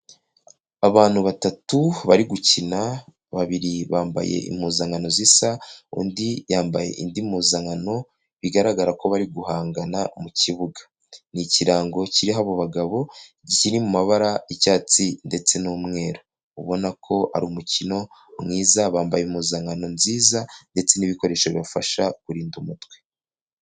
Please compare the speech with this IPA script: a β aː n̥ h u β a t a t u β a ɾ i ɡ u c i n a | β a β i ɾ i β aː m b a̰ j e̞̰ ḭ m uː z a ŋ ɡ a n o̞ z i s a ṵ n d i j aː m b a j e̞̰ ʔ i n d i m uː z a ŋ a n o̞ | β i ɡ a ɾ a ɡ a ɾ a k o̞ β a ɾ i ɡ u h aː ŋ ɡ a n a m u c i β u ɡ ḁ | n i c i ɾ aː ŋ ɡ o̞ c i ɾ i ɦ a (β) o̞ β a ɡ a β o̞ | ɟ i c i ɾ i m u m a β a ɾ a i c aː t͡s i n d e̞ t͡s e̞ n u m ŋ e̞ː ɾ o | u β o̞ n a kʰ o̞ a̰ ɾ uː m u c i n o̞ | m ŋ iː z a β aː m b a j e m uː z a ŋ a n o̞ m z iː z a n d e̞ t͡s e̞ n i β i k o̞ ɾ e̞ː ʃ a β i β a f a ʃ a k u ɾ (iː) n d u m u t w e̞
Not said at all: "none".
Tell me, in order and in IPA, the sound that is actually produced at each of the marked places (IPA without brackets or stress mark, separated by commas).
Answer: β, iː